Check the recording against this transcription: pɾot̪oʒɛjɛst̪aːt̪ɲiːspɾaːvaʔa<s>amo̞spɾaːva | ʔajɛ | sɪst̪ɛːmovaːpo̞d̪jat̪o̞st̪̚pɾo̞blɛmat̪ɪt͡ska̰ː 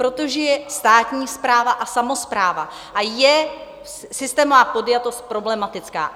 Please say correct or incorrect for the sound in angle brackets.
correct